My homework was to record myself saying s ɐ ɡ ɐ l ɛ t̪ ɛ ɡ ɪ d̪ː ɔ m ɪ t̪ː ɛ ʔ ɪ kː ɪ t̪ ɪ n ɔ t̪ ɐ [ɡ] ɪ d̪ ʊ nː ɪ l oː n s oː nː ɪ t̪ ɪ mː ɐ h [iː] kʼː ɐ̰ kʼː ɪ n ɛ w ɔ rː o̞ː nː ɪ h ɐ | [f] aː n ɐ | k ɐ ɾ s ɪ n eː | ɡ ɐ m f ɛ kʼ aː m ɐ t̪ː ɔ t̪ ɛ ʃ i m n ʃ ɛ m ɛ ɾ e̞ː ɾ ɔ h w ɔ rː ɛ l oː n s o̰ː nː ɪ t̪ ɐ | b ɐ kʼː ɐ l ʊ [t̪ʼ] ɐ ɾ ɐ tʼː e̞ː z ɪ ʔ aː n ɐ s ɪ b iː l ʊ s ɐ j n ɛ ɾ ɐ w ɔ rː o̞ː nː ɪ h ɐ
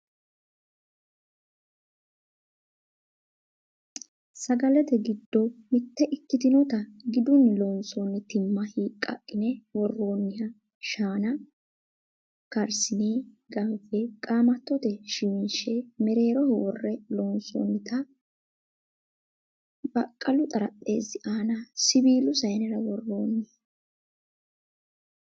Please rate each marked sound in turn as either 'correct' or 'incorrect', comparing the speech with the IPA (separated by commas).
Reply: correct, correct, incorrect, correct